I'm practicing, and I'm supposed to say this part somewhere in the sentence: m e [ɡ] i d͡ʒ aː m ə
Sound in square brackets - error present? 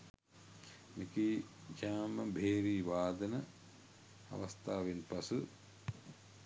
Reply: yes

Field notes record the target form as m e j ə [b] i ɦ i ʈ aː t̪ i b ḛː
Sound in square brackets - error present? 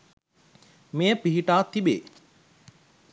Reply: yes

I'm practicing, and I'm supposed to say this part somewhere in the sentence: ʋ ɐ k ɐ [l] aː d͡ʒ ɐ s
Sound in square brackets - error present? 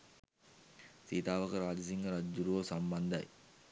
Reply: yes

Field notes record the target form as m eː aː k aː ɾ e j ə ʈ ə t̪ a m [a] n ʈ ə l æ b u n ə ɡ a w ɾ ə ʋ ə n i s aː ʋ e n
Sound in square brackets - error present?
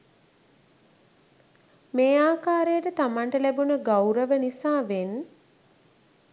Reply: no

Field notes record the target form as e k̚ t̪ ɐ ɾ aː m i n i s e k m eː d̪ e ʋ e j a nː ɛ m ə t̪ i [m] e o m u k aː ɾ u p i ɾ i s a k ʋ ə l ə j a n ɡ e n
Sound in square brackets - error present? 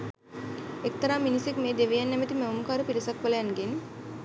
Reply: no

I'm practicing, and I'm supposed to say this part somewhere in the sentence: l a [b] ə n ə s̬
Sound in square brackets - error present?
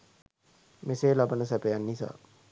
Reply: no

